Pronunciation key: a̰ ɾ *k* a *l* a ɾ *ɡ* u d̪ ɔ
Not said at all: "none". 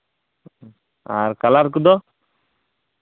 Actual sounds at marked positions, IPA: k, l, k

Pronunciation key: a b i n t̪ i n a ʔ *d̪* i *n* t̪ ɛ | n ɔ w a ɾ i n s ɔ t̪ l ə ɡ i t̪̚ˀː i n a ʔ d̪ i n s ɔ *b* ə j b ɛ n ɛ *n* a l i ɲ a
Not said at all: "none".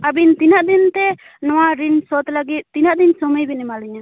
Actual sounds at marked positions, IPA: d̪, n, m, m

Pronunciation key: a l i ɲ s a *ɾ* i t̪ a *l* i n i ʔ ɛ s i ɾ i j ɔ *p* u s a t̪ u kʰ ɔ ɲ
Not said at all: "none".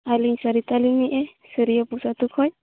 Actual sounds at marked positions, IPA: ɾ, l, p

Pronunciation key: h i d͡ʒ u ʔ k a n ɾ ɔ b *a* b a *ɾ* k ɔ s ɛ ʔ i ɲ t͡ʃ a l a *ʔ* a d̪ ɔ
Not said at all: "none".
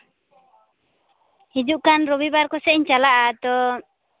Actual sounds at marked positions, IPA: i, ɾ, ʔ

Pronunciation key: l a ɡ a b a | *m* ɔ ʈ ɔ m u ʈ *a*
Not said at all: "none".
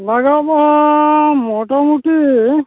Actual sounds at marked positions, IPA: m, i

